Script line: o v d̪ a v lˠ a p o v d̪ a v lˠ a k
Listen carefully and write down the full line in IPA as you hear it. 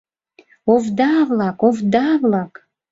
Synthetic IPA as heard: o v d̪ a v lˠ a k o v d̪ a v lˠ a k